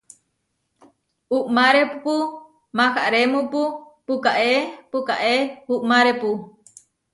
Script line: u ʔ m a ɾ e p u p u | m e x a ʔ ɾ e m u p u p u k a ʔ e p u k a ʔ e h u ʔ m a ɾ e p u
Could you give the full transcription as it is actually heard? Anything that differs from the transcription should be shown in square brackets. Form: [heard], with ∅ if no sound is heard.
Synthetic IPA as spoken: u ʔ m a ɾ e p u p u | m [a] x a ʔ ɾ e m u p u p u k a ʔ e p u k a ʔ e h u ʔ m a ɾ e p u